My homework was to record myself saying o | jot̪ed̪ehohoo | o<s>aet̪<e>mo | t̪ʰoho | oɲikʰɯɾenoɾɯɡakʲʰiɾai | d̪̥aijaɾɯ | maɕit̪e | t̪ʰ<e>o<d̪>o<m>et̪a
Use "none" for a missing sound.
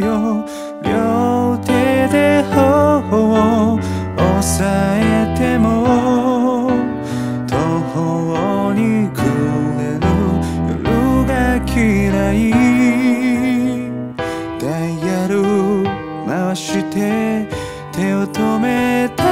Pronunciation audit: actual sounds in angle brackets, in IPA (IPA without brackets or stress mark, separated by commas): s, e, e, t̪, m